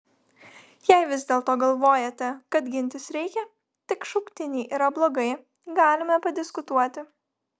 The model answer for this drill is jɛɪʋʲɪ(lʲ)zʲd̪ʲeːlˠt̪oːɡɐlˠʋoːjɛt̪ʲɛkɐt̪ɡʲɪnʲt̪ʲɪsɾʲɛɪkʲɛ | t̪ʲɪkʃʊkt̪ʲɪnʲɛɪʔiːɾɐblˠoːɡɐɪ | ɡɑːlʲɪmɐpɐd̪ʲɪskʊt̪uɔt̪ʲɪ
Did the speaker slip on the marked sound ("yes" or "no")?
yes